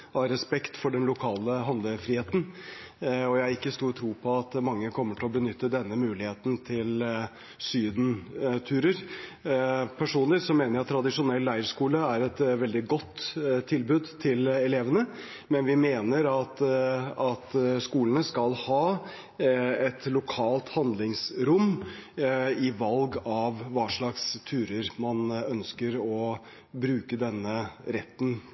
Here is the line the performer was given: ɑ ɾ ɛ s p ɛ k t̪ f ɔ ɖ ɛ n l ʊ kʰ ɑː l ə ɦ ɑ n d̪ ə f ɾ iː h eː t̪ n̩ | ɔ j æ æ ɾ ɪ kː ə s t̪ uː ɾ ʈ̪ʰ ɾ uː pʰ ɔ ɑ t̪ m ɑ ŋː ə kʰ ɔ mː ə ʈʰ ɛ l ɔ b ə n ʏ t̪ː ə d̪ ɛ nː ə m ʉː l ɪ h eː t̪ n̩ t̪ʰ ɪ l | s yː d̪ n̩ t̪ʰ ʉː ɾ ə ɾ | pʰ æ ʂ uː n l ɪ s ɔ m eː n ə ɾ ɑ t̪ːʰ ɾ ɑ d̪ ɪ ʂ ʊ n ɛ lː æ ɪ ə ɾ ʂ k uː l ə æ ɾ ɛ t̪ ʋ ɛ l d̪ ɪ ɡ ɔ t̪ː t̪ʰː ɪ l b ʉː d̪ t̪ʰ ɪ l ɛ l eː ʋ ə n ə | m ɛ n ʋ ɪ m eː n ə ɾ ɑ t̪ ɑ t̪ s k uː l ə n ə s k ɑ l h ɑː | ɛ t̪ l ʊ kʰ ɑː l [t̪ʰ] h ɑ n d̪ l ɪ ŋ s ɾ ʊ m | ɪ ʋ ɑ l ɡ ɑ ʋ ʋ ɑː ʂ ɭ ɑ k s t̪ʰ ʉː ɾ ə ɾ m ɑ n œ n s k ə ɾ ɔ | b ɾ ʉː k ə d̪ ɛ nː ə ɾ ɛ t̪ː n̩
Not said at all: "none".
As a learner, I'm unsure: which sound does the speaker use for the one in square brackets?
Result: t̪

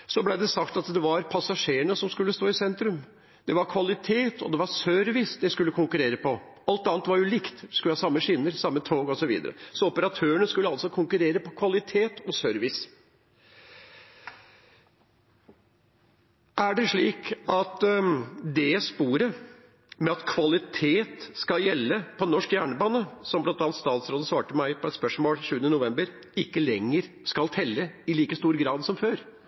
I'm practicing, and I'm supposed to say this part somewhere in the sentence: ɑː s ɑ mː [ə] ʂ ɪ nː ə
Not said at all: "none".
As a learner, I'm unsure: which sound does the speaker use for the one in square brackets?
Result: ə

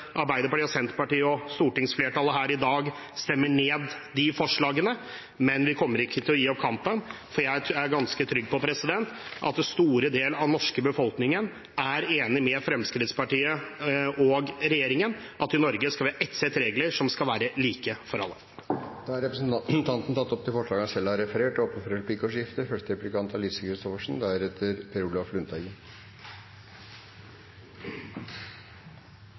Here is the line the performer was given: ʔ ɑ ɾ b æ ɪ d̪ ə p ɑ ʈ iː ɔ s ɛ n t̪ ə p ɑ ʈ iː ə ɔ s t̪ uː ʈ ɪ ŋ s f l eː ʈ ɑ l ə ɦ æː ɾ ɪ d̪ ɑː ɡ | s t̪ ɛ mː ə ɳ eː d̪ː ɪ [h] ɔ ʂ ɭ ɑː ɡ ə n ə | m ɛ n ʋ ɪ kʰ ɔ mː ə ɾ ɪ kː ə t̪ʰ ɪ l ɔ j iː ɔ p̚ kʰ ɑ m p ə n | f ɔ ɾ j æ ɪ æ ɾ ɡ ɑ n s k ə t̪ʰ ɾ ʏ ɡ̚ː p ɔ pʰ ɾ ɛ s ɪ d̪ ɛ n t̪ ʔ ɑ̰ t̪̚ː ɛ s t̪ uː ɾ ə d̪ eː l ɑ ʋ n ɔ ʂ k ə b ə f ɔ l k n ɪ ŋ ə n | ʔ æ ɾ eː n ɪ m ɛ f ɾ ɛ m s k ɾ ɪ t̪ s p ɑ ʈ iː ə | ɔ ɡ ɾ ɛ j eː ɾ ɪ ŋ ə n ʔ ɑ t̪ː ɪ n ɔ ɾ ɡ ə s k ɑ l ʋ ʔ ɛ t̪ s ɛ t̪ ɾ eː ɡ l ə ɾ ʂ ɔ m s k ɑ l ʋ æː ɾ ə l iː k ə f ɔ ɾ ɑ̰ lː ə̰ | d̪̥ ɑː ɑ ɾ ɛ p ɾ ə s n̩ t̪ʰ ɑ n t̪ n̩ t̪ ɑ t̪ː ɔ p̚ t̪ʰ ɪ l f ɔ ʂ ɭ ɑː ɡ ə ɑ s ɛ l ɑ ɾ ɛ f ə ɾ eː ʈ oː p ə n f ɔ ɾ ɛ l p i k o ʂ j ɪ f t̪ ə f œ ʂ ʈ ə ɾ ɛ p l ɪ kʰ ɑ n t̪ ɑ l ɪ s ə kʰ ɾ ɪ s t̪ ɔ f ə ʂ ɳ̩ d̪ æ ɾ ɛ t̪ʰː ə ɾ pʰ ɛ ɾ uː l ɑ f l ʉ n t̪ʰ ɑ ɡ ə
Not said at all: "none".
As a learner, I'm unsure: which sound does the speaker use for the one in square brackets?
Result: f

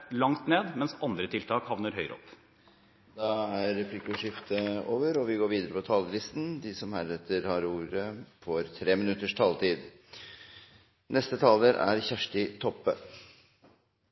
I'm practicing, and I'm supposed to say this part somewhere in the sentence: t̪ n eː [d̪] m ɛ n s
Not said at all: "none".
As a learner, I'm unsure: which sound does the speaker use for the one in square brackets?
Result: d̪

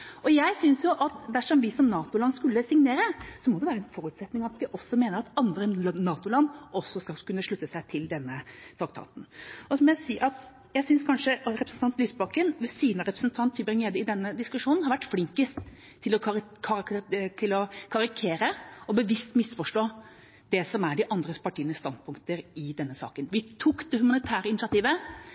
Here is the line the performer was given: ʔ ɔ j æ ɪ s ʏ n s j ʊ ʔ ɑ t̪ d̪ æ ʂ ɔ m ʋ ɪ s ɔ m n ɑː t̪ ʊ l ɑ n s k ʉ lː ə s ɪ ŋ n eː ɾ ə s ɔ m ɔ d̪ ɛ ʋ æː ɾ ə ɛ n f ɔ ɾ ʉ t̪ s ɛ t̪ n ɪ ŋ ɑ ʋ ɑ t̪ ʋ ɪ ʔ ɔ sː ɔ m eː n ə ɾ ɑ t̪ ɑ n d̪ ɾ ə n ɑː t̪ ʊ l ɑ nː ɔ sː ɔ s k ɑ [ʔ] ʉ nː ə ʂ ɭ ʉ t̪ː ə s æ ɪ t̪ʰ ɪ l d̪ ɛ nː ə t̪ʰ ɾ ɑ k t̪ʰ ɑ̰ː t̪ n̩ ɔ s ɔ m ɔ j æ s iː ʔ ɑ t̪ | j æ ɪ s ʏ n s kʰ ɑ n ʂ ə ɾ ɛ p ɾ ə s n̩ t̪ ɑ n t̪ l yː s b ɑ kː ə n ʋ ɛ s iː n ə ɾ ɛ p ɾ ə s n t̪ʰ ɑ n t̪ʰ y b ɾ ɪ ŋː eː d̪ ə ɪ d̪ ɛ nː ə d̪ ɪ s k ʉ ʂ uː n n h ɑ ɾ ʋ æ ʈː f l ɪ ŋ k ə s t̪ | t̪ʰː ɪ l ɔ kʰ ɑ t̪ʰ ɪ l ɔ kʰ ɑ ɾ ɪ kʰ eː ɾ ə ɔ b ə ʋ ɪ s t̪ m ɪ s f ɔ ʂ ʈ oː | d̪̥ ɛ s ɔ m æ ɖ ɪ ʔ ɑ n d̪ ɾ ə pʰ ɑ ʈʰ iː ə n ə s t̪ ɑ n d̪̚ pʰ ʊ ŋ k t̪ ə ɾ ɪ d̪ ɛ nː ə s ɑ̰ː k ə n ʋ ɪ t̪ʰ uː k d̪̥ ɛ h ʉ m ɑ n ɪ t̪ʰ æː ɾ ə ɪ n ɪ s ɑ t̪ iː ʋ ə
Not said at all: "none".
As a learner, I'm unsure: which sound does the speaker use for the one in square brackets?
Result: k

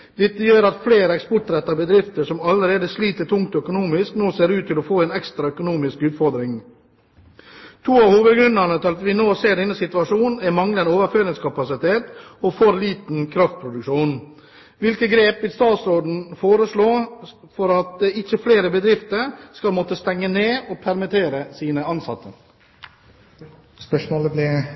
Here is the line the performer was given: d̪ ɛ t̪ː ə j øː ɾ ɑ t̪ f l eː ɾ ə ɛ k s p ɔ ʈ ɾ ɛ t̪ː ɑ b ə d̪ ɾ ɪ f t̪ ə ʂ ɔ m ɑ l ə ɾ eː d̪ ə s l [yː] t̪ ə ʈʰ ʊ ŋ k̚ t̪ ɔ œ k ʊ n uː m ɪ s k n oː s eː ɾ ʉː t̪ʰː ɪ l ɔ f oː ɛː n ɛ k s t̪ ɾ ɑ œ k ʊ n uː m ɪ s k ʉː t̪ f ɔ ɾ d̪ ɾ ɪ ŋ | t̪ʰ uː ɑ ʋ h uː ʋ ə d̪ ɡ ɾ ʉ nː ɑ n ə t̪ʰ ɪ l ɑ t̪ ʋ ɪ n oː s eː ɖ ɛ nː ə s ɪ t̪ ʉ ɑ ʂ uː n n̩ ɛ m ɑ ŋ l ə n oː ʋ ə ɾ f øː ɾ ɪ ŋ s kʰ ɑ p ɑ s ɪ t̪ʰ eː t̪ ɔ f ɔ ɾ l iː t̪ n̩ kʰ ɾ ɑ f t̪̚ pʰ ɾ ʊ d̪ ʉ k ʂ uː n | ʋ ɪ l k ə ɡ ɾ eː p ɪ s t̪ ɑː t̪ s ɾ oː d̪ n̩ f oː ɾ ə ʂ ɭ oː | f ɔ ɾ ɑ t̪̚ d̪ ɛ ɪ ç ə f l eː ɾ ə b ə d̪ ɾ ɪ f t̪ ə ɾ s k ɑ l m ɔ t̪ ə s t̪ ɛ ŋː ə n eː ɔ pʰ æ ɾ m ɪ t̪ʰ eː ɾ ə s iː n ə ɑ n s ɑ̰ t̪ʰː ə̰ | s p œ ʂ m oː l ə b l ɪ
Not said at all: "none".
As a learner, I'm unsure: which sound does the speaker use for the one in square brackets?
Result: iː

